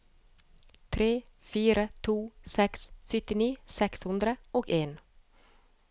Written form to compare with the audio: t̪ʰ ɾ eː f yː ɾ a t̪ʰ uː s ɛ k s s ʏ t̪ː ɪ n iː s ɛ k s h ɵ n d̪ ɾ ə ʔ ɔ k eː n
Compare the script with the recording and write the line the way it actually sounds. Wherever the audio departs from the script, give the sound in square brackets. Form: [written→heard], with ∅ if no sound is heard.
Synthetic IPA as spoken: t̪ʰ ɾ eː f yː ɾ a t̪ʰ uː s ɛ k s [s→f] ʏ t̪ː ɪ n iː s ɛ k s h ɵ n d̪ ɾ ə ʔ ɔ k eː n